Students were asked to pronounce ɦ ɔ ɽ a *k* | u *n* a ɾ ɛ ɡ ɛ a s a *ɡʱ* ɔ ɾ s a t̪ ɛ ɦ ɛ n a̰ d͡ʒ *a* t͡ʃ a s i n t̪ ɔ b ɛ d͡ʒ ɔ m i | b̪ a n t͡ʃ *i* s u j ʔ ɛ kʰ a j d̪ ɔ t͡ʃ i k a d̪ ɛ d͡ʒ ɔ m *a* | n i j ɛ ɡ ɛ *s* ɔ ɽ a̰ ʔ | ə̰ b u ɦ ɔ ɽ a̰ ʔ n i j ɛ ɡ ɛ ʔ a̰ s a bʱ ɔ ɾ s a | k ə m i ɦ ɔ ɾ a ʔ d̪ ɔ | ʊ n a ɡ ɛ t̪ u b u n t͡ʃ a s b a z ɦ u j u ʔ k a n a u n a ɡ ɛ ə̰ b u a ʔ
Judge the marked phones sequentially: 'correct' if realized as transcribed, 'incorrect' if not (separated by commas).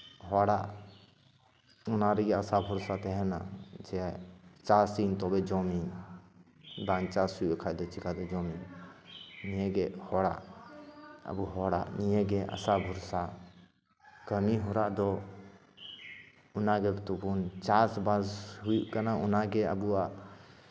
incorrect, correct, incorrect, incorrect, incorrect, incorrect, incorrect